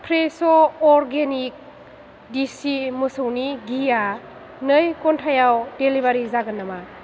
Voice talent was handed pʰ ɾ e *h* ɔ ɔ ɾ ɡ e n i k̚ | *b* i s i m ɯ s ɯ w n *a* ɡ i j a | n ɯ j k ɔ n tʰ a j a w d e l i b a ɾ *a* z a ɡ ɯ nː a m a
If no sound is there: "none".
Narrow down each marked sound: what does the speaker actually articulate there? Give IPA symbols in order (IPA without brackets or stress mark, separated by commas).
s, d, i, i